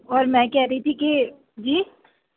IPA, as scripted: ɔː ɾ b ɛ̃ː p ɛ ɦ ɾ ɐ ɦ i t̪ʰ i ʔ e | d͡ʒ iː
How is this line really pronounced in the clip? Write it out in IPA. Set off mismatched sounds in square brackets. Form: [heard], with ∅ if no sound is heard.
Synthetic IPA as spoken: ɔː ɾ [m] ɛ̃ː [k] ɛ ɦ ɾ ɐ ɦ i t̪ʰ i [k] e | d͡ʒ iː